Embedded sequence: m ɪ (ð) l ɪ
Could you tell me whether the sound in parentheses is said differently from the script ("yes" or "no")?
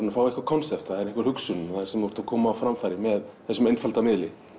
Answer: no